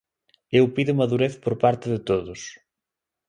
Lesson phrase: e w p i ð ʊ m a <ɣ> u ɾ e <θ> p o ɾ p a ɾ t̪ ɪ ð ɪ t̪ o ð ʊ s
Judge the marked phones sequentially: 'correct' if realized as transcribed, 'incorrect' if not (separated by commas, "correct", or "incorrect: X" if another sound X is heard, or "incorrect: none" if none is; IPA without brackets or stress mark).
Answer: incorrect: ð, correct